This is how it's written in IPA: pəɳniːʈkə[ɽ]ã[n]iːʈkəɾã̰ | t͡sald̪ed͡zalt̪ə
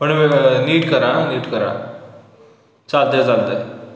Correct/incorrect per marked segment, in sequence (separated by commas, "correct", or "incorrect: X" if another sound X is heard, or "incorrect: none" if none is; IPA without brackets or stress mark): incorrect: ɾ, correct